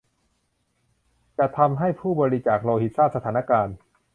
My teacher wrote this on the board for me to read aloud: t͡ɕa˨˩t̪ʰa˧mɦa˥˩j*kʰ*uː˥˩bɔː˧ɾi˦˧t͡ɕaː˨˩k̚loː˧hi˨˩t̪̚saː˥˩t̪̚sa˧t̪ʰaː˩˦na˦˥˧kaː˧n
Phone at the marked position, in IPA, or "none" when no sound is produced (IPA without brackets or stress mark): pʰ